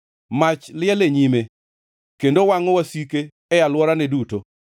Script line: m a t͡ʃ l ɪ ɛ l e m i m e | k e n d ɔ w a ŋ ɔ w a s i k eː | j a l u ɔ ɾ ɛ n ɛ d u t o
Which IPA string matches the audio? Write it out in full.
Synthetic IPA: m a t͡ʃ l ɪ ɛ l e ɲ i m e | k e n d o w a ŋ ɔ w a s i k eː | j a l w ɔ ɾ a n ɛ d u t o